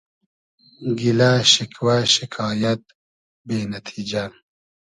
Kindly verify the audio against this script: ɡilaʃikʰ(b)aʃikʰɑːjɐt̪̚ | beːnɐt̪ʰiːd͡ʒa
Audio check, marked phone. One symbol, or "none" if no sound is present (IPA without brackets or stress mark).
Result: w